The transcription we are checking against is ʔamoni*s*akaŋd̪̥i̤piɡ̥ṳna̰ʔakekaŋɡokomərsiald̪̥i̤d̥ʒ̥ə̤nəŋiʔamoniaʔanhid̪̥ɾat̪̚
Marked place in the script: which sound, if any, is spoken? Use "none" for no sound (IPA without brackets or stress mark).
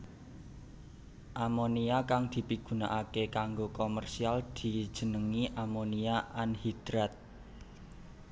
none